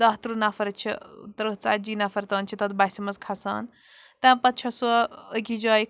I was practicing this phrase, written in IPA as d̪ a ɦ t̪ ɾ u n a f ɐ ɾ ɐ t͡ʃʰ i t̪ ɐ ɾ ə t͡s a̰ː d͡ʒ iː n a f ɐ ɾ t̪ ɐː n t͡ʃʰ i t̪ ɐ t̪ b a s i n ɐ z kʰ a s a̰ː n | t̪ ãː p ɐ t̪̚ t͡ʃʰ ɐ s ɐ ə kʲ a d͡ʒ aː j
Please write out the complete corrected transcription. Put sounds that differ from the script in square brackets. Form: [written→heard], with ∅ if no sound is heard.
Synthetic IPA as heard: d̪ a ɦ t̪ ɾ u n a f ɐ ɾ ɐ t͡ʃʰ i t̪ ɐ ɾ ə t͡s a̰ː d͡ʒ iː n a f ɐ ɾ t̪ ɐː n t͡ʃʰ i t̪ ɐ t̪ b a s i [n→m] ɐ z kʰ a s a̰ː n | t̪ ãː p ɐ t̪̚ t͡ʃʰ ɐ s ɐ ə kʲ [a→i] d͡ʒ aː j